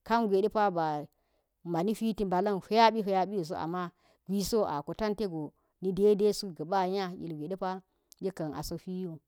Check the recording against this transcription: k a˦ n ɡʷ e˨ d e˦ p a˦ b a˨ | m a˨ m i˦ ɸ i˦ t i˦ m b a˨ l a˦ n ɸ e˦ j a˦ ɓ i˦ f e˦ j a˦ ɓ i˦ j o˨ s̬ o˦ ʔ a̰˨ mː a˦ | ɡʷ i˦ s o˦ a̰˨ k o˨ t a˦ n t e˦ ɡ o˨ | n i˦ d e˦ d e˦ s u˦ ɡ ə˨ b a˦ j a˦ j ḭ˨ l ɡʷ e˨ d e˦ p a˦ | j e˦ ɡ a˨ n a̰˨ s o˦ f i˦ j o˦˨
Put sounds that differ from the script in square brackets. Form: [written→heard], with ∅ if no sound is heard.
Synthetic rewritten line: k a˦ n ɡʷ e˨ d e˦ p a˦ b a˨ | m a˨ [m→n] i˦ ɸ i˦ t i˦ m b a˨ l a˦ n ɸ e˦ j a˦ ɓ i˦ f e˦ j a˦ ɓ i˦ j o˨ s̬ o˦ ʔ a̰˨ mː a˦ | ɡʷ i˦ s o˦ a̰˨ k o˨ t a˦ n t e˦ ɡ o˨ | n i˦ d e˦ d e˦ s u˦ ɡ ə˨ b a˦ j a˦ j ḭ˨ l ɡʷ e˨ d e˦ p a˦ | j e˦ [ɡ→k] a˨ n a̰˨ s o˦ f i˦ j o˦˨